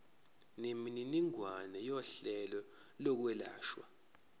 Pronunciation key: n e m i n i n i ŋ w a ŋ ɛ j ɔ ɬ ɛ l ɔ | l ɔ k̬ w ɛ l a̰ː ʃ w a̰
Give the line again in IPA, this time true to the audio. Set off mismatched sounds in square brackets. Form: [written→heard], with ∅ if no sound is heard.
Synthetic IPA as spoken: n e m i n i n i ŋ w a [ŋ→n] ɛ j ɔ ɬ ɛ l ɔ | l ɔ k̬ w ɛ l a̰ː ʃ w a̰